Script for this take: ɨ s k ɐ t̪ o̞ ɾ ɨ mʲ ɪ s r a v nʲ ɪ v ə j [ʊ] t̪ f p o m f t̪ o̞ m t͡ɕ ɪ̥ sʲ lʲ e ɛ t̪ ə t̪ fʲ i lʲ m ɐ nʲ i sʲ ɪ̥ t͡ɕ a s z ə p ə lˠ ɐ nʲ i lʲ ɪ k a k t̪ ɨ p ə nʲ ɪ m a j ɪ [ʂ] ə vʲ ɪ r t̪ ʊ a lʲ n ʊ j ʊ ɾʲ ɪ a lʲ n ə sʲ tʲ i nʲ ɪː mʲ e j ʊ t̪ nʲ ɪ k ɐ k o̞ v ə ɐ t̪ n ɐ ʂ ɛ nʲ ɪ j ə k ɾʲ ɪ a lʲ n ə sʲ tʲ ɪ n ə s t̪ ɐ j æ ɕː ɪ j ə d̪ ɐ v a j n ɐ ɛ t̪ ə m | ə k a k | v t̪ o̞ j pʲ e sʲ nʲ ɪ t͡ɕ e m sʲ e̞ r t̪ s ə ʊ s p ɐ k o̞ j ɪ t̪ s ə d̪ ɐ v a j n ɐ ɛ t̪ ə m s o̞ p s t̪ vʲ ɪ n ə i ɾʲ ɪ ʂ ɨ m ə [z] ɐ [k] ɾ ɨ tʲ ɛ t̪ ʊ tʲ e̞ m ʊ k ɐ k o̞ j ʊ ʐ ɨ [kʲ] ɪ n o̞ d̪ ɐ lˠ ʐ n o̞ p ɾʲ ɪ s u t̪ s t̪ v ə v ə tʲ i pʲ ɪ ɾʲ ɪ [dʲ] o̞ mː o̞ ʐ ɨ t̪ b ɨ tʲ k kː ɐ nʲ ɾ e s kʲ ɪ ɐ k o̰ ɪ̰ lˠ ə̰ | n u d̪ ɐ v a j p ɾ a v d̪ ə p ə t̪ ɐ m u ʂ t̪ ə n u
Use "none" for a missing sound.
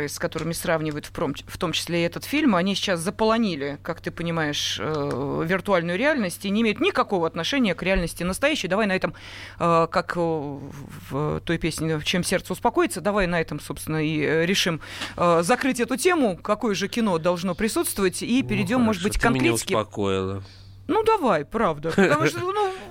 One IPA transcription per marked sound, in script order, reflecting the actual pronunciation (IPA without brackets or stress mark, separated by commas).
ʊ, ʂ, z, k, kʲ, dʲ